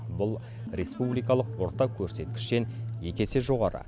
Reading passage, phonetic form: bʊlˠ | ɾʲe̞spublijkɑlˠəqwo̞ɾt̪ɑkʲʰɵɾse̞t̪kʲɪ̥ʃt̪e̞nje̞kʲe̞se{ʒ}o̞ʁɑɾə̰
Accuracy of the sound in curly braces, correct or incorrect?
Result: correct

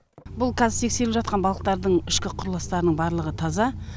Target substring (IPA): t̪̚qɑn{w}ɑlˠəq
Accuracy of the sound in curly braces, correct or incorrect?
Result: incorrect: b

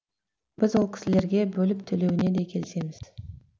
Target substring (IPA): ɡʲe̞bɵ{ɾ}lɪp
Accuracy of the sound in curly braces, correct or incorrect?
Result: incorrect: none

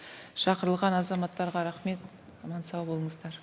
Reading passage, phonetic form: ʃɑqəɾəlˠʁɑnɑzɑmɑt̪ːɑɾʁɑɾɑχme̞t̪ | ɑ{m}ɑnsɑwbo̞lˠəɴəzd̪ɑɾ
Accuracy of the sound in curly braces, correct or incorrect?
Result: correct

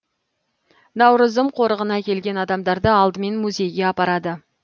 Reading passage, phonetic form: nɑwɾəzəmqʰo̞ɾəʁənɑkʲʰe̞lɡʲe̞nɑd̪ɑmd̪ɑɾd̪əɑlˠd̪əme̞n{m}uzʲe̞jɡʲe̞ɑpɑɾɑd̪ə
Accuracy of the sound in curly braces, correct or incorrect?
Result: correct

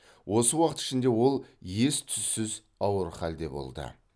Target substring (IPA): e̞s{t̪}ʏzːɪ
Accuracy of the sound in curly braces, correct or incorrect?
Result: incorrect: t̪ʰ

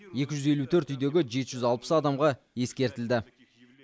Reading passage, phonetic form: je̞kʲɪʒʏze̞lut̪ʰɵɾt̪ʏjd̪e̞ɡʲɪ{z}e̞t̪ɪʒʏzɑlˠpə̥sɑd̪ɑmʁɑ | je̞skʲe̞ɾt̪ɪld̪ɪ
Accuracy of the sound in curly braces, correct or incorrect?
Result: incorrect: ʒ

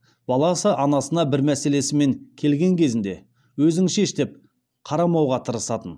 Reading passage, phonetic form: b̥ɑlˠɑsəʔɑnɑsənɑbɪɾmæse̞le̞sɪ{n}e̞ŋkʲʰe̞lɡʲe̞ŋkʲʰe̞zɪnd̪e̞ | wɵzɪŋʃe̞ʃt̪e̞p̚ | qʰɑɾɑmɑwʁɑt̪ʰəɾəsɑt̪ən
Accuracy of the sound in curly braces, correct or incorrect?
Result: incorrect: m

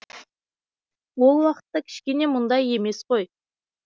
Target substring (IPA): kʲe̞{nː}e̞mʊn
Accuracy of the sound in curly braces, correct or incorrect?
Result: incorrect: n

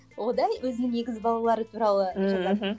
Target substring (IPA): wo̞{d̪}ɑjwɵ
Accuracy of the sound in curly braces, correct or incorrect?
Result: correct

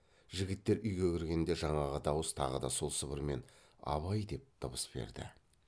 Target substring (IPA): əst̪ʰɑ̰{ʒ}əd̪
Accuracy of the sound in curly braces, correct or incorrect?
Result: incorrect: ʁ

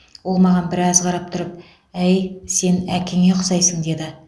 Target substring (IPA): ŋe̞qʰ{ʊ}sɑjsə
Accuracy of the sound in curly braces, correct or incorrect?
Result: correct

